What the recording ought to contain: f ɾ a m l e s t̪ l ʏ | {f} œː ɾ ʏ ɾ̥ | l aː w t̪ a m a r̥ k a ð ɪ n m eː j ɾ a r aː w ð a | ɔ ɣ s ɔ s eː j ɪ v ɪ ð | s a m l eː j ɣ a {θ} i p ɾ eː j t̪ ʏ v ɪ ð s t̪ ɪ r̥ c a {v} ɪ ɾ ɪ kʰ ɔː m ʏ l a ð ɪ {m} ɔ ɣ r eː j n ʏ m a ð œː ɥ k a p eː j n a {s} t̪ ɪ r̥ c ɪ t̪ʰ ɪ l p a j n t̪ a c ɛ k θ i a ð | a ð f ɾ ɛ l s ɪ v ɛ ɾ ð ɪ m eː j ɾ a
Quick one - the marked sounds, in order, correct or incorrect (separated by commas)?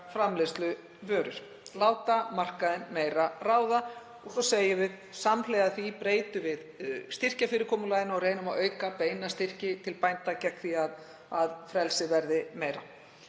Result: incorrect, correct, incorrect, incorrect, correct